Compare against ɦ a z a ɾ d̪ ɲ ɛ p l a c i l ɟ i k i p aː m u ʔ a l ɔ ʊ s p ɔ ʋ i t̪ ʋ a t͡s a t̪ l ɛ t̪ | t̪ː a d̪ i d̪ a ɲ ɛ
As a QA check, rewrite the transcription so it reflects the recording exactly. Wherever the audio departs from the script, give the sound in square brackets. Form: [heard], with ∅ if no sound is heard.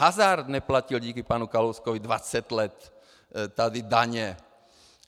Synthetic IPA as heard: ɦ a z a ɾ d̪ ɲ ɛ p l a c i l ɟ [iː] k i p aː [n] u [k] a l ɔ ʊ s [k] ɔ ʋ i [d̪] ʋ a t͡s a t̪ l ɛ t̪ | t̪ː a d̪ i d̪ a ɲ ɛ